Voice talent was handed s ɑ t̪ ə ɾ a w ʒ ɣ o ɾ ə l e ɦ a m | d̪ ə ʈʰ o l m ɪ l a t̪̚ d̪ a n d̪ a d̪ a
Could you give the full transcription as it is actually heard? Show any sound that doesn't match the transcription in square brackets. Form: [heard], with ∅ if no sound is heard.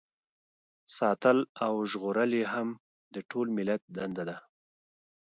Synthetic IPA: s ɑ t̪ ə [l] a w ʒ ɣ o ɾ ə l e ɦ a m | d̪ ə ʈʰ o l m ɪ l a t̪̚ d̪ a n d̪ a d̪ a